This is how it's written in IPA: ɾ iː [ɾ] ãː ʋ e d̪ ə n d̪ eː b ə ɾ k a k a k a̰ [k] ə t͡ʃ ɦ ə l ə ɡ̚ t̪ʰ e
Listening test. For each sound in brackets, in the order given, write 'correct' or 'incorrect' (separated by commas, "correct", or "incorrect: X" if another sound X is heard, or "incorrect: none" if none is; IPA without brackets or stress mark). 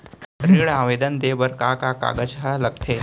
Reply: incorrect: ɭ, incorrect: ɡ